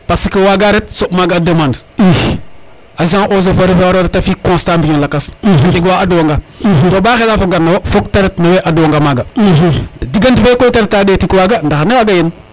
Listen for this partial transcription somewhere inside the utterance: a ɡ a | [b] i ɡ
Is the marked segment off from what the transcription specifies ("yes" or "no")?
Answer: yes